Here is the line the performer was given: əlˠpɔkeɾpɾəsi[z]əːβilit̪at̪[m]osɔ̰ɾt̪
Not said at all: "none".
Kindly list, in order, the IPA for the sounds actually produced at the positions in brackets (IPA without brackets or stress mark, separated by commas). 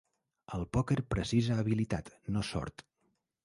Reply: z, n